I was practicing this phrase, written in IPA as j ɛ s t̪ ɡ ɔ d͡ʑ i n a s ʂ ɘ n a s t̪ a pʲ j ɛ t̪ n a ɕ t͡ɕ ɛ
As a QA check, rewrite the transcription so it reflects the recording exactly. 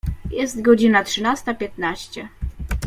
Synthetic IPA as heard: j ɛ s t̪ ɡ ɔ d͡ʑ i n a t ʂ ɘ n a s t̪ a pʲ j ɛ t̪ n a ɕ t͡ɕ ɛ